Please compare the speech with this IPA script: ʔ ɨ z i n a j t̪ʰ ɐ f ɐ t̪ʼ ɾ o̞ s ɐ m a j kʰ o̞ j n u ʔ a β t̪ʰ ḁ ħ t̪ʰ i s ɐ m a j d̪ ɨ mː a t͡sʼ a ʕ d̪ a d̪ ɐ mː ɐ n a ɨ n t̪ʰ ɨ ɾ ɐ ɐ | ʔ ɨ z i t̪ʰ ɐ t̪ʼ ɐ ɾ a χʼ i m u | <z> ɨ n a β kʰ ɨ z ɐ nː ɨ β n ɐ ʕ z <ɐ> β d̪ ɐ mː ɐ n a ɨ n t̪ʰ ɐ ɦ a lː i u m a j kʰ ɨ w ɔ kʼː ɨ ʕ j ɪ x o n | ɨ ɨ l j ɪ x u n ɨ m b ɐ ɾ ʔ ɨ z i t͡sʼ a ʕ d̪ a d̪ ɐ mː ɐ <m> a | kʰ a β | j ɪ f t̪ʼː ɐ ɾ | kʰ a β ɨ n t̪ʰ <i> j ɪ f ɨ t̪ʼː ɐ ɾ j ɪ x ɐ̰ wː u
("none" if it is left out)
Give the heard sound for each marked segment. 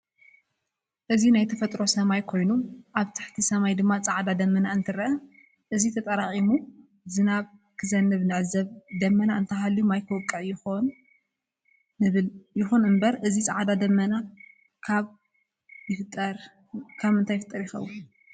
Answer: z, ɐ, n, a

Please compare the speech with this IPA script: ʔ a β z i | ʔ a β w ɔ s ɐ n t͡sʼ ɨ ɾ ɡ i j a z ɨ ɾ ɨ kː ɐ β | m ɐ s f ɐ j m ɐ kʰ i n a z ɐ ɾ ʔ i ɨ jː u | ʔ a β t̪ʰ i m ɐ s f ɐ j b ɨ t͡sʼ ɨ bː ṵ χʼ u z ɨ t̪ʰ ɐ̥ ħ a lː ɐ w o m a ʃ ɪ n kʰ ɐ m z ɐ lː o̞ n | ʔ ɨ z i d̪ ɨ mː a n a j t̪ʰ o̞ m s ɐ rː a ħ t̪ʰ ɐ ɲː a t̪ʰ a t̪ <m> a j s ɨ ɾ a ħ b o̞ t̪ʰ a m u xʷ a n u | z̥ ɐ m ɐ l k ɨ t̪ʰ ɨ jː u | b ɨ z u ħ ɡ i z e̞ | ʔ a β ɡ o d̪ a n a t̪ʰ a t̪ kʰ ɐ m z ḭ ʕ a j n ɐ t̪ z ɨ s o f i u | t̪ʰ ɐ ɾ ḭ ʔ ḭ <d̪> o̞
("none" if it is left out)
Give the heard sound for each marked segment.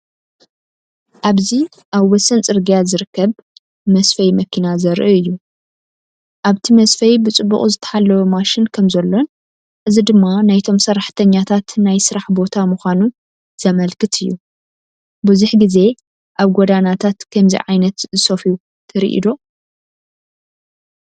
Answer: n, d̪

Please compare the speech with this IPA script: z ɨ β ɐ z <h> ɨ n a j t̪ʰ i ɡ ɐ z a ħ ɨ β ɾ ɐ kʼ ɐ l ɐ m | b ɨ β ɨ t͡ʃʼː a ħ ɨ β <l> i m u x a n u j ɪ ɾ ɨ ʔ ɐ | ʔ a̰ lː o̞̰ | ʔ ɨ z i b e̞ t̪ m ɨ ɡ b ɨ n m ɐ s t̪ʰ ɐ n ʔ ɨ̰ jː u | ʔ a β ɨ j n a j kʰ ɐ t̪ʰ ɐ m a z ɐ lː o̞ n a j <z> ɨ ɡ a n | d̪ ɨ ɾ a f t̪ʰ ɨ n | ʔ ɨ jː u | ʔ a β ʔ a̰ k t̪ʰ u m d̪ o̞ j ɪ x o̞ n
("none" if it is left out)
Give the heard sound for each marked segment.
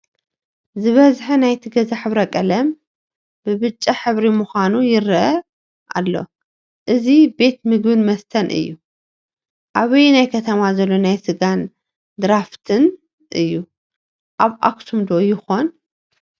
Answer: ħ, ɾ, s

